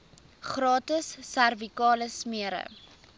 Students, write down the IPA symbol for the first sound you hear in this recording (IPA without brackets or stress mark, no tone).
χ